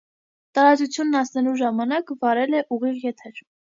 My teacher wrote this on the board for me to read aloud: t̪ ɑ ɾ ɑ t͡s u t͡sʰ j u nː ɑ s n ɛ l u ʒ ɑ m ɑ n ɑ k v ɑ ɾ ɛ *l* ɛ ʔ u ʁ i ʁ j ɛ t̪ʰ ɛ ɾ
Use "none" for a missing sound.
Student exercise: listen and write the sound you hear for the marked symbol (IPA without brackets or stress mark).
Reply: l